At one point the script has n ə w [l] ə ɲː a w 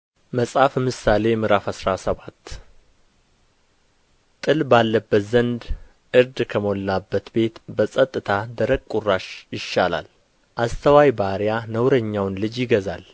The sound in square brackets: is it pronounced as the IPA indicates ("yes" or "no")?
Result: no